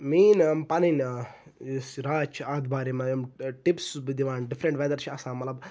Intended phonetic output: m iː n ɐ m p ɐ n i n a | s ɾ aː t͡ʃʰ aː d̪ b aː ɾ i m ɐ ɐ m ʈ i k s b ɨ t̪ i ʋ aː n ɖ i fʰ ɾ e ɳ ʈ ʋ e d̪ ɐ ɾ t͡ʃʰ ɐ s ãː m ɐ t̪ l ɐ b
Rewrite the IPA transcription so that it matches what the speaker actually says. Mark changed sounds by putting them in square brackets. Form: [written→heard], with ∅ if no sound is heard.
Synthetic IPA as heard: m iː n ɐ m p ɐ n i n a | s ɾ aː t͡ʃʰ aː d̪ b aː ɾ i m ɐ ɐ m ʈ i [k→p] s b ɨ [t̪→d̪] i ʋ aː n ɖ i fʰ ɾ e ɳ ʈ ʋ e d̪ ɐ ɾ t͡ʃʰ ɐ s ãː m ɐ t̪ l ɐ b